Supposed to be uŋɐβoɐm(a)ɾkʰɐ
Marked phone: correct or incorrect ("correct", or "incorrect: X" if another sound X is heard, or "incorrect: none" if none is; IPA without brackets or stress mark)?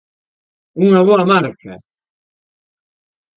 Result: correct